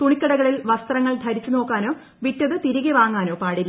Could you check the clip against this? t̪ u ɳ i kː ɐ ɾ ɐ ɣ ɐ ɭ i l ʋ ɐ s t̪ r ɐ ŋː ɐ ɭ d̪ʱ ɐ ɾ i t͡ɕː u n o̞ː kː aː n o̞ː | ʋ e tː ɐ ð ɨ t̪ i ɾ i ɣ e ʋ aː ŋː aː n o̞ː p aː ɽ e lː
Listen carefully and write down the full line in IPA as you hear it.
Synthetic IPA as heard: t̪ u ɳ i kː ɐ ɽ ɐ ɣ ɐ ɭ i l ʋ ɐ s t̪ r ɐ ŋː ɐ ɭ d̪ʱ ɐ ɾ i t͡ɕː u n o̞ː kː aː n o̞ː | ʋ i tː ɐ ð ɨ t̪ i ɾ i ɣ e ʋ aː ŋː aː n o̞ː p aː ɽ i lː

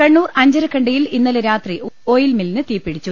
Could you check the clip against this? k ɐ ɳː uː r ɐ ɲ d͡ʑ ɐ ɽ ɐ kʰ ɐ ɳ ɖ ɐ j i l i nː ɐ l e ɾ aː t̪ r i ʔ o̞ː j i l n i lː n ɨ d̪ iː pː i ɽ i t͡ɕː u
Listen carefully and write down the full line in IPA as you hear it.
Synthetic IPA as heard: k ɐ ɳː uː r ɐ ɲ d͡ʑ ɐ ɾ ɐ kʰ ɐ ɳ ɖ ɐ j i l i nː ɐ l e ɾ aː t̪ r i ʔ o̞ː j i l m i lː n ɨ t̪ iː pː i ɽ i t͡ɕː u

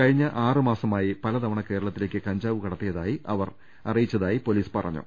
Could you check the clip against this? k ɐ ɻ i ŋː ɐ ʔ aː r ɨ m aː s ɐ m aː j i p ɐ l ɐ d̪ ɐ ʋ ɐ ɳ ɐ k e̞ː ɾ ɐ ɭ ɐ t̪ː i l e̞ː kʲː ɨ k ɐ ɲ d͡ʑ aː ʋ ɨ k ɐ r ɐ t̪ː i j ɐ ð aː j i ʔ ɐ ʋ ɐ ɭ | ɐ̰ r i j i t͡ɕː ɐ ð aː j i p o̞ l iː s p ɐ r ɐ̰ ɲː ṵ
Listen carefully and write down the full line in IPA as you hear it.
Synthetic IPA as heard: k ɐ ɻ i ɲː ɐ ʔ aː r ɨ m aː s ɐ m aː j i p ɐ l ɐ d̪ ɐ ʋ ɐ ɳ ɐ k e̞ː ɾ ɐ ɭ ɐ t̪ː i l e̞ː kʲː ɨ k ɐ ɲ d͡ʑ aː ʋ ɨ k ɐ ɽ ɐ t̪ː i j ɐ ð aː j i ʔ ɐ ʋ ɐ r | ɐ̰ r i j i t͡ɕː ɐ ð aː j i p o̞ l iː s p ɐ r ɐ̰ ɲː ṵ

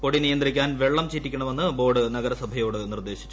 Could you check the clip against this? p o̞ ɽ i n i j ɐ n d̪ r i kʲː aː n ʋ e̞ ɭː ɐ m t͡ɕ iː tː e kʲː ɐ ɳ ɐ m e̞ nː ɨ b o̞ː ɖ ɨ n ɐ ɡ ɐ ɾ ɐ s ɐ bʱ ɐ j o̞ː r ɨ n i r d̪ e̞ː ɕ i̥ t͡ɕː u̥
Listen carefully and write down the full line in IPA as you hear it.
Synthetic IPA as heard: p o̞ ɽ i n i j ɐ n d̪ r i kʲː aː n ʋ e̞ ɭː ɐ m t͡ɕ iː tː i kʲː ɐ ɳ ɐ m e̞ nː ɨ b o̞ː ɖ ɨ n ɐ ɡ ɐ ɾ ɐ s ɐ bʱ ɐ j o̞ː ɽ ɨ n i r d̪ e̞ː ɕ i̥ t͡ɕː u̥

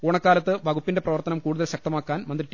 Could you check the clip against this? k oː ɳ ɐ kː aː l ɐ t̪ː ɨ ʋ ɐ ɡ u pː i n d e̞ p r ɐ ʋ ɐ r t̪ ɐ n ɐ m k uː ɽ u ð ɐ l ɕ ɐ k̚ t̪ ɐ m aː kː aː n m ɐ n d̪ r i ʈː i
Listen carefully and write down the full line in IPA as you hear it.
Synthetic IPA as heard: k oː ɳ ɐ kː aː l ɐ t̪ː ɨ ʋ ɐ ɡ u pː i n d e̞ p r ɐ ʋ ɐ r t̪ ɐ n ɐ m k uː ɽ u ð ɐ l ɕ ɐ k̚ t̪ ɐ m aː kː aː n m ɐ n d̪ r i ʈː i

